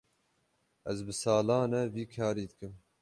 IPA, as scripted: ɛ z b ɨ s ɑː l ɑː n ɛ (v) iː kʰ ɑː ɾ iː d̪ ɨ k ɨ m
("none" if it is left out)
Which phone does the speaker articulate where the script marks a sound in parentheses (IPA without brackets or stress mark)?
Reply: v